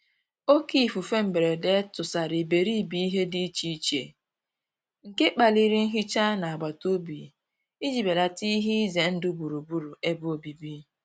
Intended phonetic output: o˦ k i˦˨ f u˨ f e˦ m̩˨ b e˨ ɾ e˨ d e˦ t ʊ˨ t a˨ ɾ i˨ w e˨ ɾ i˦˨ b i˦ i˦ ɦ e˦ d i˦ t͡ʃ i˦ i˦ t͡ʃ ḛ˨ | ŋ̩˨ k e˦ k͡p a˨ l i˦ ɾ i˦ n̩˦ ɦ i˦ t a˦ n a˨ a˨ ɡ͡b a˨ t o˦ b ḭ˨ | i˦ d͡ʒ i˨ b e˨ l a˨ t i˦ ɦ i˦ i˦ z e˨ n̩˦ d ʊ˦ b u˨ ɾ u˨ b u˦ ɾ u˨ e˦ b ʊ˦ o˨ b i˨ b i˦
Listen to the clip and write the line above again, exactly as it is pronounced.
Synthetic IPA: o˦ k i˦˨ f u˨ f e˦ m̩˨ b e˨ ɾ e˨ d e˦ t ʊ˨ s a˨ ɾ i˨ b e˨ ɾ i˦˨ b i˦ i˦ ɦ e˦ d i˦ t͡ʃ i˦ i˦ t͡ʃ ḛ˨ | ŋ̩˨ k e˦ k͡p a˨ l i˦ ɾ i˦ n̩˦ ɦ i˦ t͡ʃ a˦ n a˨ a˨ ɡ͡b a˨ t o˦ b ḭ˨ | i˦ d͡ʒ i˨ b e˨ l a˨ t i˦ ɦ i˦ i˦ z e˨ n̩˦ d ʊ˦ b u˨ ɾ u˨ b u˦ ɾ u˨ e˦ b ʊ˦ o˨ b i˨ b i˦